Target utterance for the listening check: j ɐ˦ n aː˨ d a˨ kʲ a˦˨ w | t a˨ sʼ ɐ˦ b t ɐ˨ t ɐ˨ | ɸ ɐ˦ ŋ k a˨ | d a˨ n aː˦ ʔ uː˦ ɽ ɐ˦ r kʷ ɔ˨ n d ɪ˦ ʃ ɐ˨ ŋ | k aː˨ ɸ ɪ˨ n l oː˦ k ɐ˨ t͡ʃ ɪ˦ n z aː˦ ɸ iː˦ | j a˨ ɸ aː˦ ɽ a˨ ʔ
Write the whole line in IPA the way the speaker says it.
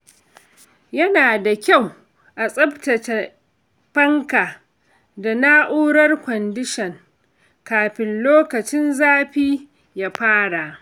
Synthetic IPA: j ɐ˦ n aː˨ d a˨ kʲ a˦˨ w | ʔ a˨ sʼ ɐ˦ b t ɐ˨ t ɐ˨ | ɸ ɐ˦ ŋ k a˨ | d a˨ n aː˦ ʔ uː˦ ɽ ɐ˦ r kʷ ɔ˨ n d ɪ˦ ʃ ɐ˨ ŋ | k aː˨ ɸ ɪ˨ n l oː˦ k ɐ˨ t͡ʃ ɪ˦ n z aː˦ ɸ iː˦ | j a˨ ɸ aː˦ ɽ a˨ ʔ